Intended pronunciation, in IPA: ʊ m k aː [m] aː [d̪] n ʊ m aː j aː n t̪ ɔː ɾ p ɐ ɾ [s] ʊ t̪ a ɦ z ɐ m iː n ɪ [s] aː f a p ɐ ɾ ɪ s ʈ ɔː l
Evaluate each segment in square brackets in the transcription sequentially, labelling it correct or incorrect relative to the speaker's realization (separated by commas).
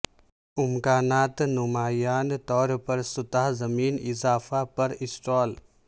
incorrect, incorrect, correct, incorrect